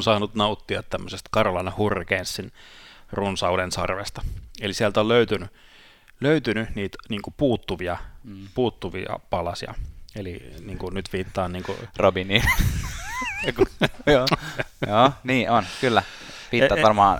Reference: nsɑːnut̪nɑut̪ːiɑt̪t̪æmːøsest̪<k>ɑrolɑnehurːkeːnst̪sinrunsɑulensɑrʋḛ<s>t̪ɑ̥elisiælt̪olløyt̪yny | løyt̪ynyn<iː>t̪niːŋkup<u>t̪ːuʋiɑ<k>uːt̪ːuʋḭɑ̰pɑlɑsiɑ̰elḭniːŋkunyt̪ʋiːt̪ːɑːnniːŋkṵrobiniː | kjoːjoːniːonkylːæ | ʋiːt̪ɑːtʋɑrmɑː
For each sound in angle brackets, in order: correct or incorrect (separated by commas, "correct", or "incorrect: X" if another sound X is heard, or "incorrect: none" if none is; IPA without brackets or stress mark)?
correct, correct, correct, incorrect: uː, incorrect: p